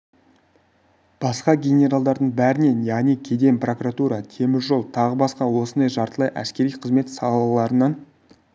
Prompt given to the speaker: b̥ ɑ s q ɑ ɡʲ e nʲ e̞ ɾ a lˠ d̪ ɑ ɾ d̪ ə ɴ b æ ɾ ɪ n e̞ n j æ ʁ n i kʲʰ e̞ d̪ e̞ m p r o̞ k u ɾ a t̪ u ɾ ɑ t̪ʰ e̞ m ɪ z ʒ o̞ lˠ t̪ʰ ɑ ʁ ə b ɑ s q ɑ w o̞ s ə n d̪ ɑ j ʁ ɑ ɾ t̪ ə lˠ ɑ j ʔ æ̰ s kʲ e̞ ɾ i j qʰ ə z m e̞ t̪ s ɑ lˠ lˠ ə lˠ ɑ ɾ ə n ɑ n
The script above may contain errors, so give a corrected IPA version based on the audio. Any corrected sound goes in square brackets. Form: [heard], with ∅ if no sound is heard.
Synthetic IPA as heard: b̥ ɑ s q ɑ ɡʲ e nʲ e̞ ɾ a lˠ d̪ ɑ ɾ d̪ ə ɴ b æ ɾ ɪ n e̞ n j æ ʁ n i kʲʰ e̞ d̪ e̞ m p r o̞ k u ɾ a t̪ u ɾ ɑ t̪ʰ e̞ m ɪ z ʒ o̞ lˠ t̪ʰ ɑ ʁ ə b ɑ s q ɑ w o̞ s ə n d̪ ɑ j [ʒ] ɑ ɾ t̪ ə lˠ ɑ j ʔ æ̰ s kʲ e̞ ɾ i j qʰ ə z m e̞ t̪ s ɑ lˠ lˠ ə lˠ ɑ ɾ ə n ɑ n